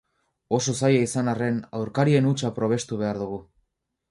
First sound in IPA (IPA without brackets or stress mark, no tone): o̞